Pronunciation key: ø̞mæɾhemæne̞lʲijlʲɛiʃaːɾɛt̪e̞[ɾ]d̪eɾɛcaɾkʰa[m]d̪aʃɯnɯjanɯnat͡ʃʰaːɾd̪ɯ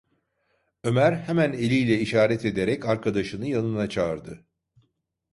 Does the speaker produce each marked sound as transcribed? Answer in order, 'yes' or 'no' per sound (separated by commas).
no, no